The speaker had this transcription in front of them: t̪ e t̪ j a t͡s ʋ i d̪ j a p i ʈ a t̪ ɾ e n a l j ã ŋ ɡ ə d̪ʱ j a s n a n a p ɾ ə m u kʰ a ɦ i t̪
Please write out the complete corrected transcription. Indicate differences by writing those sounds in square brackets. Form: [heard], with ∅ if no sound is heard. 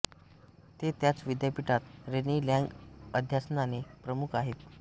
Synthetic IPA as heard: t̪ e t̪ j a t͡s ʋ i d̪ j a p i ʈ a t̪ ɾ e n [i] l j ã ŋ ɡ ə d̪ʱ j a s n a n [e] p ɾ ə m u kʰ a ɦ [e] t̪